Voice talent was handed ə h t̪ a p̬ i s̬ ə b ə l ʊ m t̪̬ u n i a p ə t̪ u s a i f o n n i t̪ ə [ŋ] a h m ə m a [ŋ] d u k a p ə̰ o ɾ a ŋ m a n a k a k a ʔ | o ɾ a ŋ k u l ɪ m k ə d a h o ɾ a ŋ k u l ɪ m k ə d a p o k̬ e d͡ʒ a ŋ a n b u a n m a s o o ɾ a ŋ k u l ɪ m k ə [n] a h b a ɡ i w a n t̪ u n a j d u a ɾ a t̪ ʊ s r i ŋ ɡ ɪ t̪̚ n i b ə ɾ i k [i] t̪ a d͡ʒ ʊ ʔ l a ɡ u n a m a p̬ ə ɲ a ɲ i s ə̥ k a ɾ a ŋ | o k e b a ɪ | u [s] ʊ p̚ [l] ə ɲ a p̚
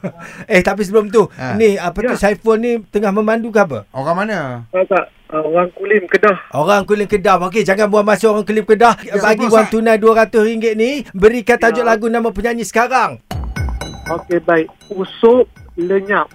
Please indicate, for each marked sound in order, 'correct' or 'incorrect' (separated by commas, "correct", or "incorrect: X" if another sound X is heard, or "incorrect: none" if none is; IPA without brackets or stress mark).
correct, incorrect: n, incorrect: d, incorrect: a, correct, correct